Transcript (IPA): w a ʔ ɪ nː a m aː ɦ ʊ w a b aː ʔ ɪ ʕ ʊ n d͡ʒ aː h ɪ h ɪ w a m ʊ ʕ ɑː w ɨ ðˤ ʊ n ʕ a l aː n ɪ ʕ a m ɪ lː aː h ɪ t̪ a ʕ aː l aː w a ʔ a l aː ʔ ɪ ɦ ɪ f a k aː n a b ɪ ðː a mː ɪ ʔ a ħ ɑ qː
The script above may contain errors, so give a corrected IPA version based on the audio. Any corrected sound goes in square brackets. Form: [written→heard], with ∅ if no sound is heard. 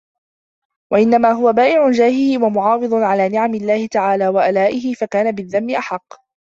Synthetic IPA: w a ʔ ɪ nː a m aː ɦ ʊ w a b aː ʔ ɪ ʕ ʊ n d͡ʒ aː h ɪ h ɪ w a m ʊ ʕ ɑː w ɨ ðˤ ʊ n ʕ a l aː n ɪ ʕ a m ɪ lː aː h ɪ t̪ a ʕ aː l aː w a ʔ a l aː ʔ ɪ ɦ ɪ f a k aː n a b ɪ ðː a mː ɪ ʔ a ħ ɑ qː